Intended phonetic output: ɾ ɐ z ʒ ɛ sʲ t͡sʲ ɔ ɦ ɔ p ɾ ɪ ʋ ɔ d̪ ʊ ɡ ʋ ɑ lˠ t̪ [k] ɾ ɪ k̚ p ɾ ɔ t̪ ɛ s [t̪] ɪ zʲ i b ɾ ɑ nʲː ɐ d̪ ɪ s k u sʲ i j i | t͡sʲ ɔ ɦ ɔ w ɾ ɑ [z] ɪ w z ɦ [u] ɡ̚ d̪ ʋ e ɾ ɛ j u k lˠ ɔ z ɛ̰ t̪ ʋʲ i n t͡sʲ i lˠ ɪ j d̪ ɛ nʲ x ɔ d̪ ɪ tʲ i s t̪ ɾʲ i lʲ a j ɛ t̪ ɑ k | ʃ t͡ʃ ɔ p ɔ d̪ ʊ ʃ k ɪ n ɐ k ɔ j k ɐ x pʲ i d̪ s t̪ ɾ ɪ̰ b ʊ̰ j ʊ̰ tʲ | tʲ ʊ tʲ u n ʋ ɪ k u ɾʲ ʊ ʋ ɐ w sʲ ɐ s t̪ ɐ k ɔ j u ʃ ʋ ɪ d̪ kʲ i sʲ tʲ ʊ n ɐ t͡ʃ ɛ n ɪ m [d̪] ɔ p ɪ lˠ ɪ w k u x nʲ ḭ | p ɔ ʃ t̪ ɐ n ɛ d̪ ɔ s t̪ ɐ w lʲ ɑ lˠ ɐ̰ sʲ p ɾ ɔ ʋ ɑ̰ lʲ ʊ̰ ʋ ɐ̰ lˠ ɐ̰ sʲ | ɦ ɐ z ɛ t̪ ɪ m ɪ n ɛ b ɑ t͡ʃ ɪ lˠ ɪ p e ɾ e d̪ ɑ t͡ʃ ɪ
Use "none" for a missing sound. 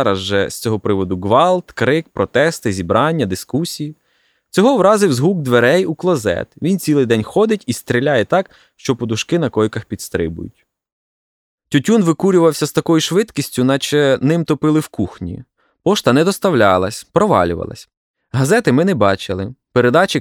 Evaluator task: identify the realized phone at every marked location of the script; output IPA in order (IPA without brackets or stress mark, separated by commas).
k, t̪, z, u, t̪